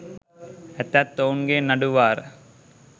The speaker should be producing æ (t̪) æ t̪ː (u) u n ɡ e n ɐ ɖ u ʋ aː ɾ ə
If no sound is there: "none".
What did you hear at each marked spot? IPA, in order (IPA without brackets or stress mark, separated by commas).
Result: t̪, o